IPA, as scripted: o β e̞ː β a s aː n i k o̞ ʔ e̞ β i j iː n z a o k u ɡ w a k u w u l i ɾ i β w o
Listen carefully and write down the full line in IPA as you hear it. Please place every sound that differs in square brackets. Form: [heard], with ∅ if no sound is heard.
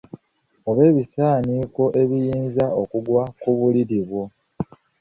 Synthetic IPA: o β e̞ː β [i] s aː n i k o̞ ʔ e̞ β i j iː n z a o k u ɡ w a k u [β] u l i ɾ i β w o